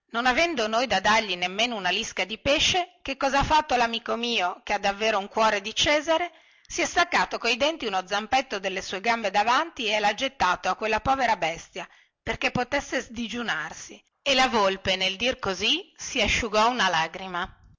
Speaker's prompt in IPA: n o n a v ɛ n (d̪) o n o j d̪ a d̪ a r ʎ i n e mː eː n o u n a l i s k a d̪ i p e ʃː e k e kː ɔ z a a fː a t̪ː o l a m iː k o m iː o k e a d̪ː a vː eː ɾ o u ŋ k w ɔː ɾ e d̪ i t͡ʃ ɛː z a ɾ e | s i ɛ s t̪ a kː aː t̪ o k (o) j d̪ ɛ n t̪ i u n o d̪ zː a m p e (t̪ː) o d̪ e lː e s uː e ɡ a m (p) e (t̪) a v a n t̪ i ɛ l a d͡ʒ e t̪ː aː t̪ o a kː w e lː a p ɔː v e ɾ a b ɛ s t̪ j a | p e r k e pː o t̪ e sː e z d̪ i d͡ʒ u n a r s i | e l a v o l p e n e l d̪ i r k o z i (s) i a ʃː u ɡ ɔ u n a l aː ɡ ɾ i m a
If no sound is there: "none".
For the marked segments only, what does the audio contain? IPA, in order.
d̪, o, t̪ː, b, d̪, s

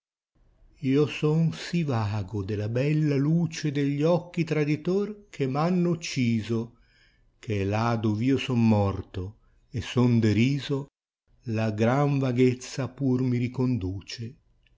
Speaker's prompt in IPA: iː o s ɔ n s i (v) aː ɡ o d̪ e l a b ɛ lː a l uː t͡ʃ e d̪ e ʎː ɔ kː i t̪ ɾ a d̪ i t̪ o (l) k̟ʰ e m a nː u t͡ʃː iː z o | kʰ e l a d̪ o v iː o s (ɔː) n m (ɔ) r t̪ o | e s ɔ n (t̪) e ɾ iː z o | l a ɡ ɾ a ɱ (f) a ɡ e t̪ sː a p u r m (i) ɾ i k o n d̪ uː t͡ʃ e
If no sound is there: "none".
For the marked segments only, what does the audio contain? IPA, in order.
v, r, ɔ, ɔ, d̪, v, i

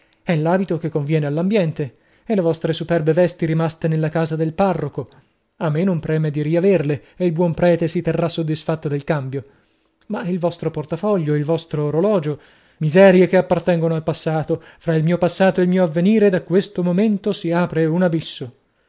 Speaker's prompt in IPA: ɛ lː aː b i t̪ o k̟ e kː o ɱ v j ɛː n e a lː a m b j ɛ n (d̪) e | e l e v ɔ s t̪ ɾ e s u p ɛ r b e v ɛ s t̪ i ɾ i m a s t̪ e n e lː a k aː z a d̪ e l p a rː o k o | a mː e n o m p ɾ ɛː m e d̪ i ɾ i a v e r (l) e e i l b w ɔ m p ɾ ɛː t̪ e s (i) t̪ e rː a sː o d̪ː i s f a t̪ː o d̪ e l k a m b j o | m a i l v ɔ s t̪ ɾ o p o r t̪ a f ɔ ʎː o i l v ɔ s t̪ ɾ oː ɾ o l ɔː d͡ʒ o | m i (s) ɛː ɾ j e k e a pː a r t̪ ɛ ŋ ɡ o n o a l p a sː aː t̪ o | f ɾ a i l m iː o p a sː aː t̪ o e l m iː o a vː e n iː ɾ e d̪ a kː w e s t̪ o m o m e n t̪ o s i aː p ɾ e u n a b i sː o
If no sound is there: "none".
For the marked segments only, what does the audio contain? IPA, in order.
t̪, l, i, z

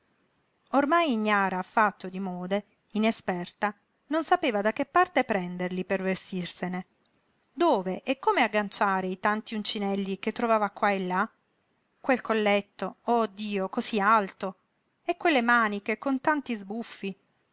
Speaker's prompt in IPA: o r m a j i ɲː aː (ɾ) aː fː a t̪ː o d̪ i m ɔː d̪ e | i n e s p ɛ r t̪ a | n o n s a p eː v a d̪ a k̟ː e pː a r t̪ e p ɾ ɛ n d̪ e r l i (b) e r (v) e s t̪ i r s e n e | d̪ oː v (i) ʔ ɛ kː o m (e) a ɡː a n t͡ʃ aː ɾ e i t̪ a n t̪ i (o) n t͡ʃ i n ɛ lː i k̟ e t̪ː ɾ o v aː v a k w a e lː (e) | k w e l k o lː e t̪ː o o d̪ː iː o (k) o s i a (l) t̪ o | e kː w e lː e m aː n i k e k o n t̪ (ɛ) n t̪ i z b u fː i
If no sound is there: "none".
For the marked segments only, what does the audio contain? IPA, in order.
ɾ, p, v, e, e, u, a, k, l, a

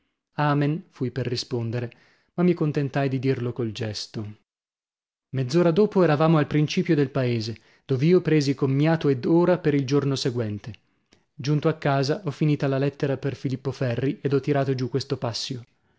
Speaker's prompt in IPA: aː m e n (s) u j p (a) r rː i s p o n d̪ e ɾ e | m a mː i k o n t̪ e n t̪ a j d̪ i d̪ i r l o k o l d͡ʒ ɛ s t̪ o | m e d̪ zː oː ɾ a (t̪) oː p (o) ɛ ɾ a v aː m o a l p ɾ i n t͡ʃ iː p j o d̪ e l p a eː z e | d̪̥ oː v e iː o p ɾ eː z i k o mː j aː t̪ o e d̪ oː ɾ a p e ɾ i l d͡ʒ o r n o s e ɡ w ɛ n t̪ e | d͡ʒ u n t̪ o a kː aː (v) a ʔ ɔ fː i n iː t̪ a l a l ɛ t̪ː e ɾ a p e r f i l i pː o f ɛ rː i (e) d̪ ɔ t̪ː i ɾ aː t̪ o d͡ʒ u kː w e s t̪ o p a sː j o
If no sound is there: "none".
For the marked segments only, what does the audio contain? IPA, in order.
f, e, d̪, o, z, e

